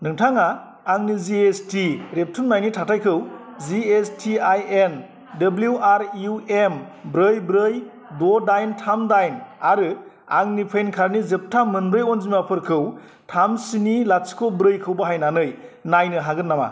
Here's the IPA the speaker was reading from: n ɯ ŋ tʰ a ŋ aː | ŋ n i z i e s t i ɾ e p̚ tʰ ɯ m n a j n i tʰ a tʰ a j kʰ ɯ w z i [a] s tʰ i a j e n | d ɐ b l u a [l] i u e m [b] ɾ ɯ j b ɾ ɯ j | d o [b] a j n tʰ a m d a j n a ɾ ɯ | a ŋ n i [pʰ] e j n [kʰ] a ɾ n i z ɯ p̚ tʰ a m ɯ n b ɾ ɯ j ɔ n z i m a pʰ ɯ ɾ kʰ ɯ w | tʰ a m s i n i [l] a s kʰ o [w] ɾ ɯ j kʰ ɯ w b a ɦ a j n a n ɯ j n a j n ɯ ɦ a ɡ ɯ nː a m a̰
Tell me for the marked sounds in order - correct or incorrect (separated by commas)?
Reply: incorrect, incorrect, correct, incorrect, correct, correct, correct, incorrect